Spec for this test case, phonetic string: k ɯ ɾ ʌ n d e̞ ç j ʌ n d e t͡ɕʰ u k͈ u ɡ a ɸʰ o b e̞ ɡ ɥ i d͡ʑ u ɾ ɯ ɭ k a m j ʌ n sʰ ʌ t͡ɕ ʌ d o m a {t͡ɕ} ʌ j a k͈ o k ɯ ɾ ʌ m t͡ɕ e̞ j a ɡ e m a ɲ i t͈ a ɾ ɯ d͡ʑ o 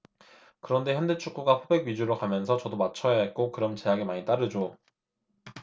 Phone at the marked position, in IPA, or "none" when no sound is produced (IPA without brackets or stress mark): t͡ɕʰ